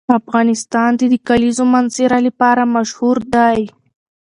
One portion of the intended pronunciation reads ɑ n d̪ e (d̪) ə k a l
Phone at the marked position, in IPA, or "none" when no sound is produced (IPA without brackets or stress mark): d̪